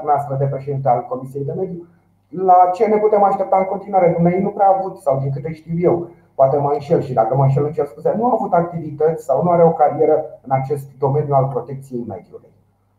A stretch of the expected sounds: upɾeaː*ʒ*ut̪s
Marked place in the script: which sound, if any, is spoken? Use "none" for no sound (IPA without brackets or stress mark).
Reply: v